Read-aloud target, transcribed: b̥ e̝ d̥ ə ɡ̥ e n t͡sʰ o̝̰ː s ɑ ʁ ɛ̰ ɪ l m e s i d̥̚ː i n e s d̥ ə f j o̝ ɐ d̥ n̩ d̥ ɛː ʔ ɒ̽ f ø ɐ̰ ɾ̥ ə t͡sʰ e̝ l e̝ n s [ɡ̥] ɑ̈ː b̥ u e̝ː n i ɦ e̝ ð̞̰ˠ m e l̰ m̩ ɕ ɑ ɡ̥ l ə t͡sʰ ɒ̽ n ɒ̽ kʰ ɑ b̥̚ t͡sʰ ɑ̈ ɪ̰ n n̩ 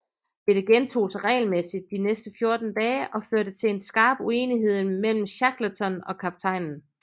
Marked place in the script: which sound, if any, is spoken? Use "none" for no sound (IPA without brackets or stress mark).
ɡ̥